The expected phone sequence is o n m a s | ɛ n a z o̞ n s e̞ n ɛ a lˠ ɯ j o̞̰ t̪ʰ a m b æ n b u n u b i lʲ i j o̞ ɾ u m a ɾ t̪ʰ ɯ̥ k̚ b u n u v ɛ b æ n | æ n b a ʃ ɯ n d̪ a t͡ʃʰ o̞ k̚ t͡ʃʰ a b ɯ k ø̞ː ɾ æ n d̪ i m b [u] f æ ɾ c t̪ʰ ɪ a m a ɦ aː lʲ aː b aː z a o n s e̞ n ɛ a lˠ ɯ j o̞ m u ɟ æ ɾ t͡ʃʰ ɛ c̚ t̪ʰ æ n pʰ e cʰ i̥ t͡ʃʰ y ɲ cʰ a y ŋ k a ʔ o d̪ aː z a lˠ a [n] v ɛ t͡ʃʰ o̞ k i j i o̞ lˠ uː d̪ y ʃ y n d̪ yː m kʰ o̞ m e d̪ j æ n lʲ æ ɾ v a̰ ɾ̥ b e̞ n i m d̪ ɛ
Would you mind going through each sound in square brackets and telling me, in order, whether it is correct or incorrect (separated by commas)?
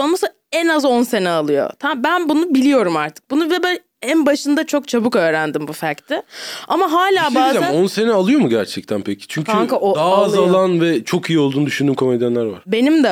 correct, correct